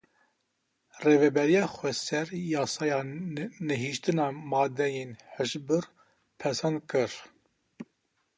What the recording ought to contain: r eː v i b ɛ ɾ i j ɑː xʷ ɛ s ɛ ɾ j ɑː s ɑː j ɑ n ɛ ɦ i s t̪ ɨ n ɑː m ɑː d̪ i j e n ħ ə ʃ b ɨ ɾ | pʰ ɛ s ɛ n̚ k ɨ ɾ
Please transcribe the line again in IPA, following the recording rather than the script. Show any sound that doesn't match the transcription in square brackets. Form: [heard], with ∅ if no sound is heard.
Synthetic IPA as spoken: r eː v [ɛ] b ɛ ɾ i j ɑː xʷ ɛ s ɛ ɾ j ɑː s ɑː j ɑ n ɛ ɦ i [ʃ] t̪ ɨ n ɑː m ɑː d̪ [ɛ] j e n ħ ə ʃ b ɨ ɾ | pʰ ɛ s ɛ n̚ k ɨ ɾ